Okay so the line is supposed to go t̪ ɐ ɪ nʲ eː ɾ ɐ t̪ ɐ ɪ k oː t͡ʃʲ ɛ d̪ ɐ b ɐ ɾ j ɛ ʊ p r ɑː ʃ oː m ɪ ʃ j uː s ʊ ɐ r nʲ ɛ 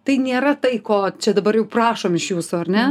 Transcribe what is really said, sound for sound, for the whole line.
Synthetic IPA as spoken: t̪ ɐ ɪ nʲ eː ɾ ɐ t̪ ɐ ɪ k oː t͡ʃʲ ɛ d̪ ɐ b ɐ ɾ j ɛ ʊ p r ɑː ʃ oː m ɪ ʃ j uː s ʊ ɐ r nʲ ɛ